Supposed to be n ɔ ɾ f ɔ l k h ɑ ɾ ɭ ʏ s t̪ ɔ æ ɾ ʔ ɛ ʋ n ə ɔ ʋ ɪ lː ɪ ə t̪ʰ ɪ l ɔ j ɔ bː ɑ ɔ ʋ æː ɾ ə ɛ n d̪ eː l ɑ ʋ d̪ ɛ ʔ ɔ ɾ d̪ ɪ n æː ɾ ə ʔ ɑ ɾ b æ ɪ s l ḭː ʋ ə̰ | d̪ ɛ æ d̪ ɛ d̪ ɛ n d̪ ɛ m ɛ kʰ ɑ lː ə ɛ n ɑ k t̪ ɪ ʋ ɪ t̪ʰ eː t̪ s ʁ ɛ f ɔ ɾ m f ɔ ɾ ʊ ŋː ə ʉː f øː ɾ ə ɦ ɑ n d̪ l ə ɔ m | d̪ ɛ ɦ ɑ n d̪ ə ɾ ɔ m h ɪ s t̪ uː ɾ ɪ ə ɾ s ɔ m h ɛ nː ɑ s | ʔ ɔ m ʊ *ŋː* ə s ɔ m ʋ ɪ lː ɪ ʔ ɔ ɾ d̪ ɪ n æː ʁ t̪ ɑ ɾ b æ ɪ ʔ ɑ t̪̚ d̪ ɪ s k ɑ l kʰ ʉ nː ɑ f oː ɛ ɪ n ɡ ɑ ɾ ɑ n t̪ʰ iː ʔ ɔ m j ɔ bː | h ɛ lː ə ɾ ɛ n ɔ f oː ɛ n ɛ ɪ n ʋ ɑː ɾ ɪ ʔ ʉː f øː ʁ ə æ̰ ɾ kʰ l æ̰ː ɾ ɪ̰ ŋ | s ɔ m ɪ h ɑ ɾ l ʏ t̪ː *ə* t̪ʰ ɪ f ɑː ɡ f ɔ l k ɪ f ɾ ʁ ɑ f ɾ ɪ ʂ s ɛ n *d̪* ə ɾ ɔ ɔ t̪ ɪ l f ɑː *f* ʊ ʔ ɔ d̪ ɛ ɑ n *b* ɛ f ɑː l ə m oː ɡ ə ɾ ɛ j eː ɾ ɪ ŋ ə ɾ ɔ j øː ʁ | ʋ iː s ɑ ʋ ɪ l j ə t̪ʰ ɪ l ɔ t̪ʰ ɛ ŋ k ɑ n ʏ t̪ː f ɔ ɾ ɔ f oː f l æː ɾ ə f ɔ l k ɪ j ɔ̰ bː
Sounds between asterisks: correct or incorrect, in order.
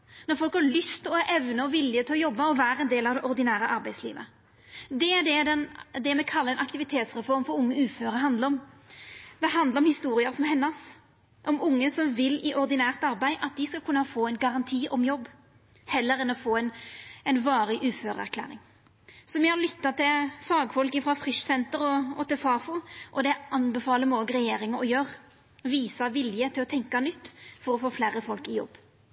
correct, incorrect: ɑ, incorrect: t̪, correct, correct

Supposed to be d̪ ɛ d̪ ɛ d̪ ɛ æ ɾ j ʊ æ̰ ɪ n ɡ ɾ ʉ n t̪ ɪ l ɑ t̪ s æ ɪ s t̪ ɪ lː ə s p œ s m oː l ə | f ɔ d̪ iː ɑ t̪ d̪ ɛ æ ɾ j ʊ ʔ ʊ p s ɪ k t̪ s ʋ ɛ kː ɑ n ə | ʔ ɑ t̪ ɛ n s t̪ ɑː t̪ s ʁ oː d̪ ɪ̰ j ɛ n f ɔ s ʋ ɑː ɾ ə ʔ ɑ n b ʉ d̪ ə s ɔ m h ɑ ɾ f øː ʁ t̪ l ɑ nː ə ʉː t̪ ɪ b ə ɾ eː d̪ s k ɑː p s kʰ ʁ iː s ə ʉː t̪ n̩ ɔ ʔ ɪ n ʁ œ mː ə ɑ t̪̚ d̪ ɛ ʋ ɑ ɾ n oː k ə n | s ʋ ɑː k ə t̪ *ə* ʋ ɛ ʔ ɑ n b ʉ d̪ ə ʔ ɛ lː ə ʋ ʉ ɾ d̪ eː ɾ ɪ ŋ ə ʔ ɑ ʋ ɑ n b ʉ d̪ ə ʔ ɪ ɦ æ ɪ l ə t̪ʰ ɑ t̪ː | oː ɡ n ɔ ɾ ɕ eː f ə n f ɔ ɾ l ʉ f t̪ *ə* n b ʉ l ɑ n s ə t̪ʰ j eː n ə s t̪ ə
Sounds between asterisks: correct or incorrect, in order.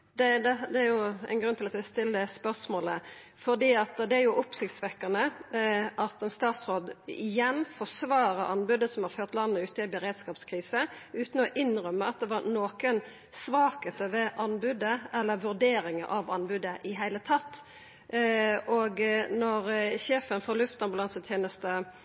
correct, incorrect: ɑ

